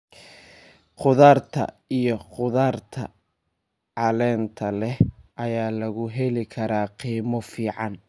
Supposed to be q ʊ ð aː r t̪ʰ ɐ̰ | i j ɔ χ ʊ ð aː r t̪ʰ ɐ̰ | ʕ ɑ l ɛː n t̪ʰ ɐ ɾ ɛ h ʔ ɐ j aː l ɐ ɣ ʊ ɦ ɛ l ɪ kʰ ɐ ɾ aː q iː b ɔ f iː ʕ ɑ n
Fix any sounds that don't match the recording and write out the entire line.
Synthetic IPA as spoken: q ʊ ð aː r t̪ʰ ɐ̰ | i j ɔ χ ʊ ð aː r t̪ʰ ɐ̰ | ʕ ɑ l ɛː n t̪ʰ ɐ l ɛ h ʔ ɐ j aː l ɐ ɣ ʊ ɦ ɛ l ɪ kʰ ɐ ɾ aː q iː m ɔ f iː ʕ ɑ n

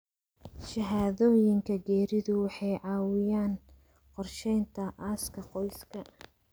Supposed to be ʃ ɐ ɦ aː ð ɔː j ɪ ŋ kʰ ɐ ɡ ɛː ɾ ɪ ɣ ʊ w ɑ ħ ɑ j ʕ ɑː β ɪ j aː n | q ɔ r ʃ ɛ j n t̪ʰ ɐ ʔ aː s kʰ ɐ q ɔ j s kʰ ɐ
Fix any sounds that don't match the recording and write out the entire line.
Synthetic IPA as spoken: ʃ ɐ ɦ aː ð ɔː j ɪ ŋ kʰ ɐ ɡ ɛː ɾ ɪ ð ʊ w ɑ ħ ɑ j ʕ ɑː w ɪ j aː n | q ɔ r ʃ ɛ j n t̪ʰ ɐ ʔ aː s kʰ ɐ q ɔ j s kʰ ɐ

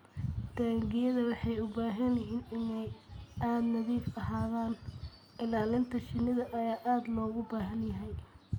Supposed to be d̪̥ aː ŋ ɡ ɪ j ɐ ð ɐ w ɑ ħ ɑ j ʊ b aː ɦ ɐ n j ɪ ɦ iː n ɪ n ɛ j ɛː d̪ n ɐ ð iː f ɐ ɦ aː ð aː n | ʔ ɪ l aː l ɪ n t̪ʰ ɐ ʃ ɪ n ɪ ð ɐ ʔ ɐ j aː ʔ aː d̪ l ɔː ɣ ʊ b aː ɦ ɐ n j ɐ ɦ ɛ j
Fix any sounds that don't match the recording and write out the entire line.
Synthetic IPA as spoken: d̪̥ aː ŋ ɡ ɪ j ɐ ð ɐ w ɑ ħ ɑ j ʊ b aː ɦ ɐ n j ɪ ɦ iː n ɪ n ɛ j aː d̪ n ɐ ð iː f ɐ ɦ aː ð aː n | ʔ ɪ l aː l ɪ n t̪ʰ ɐ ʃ ɪ n ɪ ð ɐ ʔ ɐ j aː ʔ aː d̪ l ɔː ɣ ʊ b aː ɦ ɐ n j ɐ ɦ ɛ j

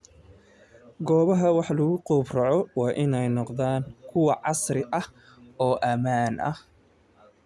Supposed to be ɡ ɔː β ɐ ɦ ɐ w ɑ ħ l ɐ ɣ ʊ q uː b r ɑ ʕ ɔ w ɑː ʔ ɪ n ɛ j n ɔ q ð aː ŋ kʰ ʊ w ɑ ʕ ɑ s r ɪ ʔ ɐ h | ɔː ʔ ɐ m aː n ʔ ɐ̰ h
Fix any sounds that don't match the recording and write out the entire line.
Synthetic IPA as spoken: ɡ ɔː β ɐ ɦ ɐ w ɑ ħ l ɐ ɣ ʊ q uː b r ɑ ʕ ɔ w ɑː ʔ ɪ n ɛ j n ɔ q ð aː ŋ kʰ ʊ w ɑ ʕ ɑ s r ɪ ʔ ɐ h | ɔː ʔ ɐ m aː n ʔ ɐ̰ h

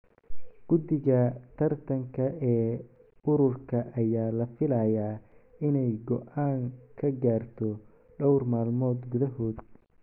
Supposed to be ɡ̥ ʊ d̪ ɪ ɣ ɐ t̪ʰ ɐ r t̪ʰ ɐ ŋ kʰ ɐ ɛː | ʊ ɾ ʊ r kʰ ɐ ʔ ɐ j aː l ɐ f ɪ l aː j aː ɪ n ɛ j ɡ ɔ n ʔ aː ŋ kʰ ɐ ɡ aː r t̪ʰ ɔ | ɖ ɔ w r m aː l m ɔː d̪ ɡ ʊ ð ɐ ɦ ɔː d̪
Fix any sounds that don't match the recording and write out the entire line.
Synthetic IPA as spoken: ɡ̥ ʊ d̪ ɪ ɣ ɐ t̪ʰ ɐ r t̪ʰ ɐ ŋ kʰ ɐ ɛː | ʊ ɾ ʊ r kʰ ɐ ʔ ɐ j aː l ɐ f ɪ l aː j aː ɪ n ɛ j ɡ ɔ ʔ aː ŋ kʰ ɐ ɡ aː r t̪ʰ ɔ | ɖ ɔ w r m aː l m ɔː d̪ ɡ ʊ ð ɐ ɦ ɔː d̪

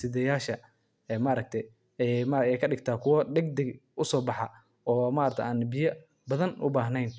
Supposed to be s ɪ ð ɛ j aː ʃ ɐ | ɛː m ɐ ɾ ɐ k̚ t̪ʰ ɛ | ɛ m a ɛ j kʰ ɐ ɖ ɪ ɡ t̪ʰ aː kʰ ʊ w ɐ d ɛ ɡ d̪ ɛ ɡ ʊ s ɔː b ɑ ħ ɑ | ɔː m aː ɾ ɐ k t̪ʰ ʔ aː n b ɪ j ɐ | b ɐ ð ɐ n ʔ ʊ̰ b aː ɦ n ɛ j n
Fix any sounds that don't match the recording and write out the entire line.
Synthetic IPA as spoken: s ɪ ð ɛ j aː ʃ ɐ | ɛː m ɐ ɾ ɐ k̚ t̪ʰ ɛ | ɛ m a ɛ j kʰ ɐ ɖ ɪ ɡ t̪ʰ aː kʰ ʊ w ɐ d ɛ ɡ d̪ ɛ ɡ ʊ s ɔː b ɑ ħ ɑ | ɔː m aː ɾ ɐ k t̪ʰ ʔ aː n b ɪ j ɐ | b ɐ ð ɐ n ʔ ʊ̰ b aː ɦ n ɛ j n

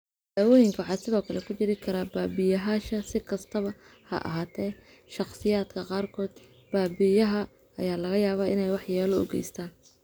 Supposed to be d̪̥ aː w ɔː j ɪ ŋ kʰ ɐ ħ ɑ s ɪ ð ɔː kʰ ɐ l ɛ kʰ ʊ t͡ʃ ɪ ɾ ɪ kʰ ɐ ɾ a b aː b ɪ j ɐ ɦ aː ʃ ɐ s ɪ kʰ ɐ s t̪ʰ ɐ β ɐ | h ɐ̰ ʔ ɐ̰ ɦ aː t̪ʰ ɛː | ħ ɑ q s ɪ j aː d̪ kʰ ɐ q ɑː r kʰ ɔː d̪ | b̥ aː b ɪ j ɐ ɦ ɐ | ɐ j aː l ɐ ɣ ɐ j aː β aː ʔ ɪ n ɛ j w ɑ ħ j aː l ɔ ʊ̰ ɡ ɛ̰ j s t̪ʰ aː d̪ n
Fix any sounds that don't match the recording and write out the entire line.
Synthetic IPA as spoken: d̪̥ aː w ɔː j ɪ ŋ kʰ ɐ ħ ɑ s ɪ ð ɔː kʰ ɐ l ɛ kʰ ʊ t͡ʃ ɪ ɾ ɪ kʰ ɐ ɾ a b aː b ɪ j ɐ ɦ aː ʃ ɐ s ɪ kʰ ɐ s t̪ʰ ɐ β ɐ | h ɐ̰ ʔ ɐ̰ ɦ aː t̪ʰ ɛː | ʃ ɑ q s ɪ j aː d̪ kʰ ɐ q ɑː r kʰ ɔː d̪ | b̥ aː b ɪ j ɐ ɦ ɐ | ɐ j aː l ɐ ɣ ɐ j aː β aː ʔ ɪ n ɛ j w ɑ ħ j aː l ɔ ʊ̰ ɡ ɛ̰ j s t̪ʰ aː n

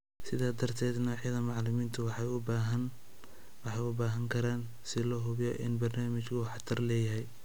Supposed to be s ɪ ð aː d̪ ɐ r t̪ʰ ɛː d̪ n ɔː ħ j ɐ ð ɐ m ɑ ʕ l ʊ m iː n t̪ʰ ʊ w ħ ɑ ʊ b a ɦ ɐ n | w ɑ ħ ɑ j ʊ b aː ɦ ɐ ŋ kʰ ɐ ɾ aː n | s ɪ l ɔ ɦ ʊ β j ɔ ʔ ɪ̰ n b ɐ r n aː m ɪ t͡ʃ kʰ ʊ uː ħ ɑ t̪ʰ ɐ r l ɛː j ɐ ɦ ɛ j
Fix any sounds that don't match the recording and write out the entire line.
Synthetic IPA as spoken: s ɪ ð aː d̪ ɐ r t̪ʰ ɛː d̪ n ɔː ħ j ɐ ð ɐ m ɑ ʕ l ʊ m iː n t̪ʰ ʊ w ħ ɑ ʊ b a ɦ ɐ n | w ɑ ħ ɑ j ʊ b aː ɦ ɐ ŋ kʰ ɐ ɾ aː n | s ɪ l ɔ ɦ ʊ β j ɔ ʔ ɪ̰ n b ɐ r n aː m ɪ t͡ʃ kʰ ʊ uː ħ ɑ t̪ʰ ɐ r l ɛː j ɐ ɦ ɛ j

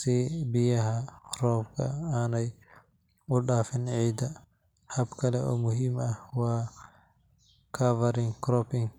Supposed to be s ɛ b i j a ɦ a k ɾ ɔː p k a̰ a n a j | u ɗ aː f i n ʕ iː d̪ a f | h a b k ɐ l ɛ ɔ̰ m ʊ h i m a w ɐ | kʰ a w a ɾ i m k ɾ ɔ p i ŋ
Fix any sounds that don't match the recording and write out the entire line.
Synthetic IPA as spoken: s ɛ b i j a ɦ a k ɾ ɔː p k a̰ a n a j | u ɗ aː f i n ʕ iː d̪ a | h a b k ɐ l ɛ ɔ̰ m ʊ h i m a w a | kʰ a v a ɾ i ŋ k ɾ ɔ p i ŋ

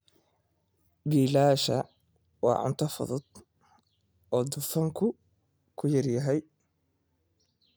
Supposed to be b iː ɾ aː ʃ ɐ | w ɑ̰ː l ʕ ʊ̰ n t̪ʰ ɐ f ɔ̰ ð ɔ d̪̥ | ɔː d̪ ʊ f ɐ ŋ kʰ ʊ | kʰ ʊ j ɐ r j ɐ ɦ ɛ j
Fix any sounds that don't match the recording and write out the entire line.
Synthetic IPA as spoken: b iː l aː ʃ ɐ | w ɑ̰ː ʕ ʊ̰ n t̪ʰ ɐ f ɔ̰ ð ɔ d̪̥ | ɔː d̪ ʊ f ɐ ŋ kʰ ʊ | kʰ ʊ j ɐ r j ɐ ɦ ɛ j

